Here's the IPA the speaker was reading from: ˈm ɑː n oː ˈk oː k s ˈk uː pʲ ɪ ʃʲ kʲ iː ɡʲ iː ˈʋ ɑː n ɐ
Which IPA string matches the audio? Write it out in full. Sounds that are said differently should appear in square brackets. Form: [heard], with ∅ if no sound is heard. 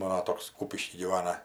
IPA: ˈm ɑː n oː [ˈt] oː k s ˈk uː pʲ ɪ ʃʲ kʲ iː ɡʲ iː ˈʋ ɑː n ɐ